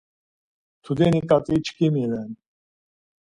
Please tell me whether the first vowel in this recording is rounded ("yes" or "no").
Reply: yes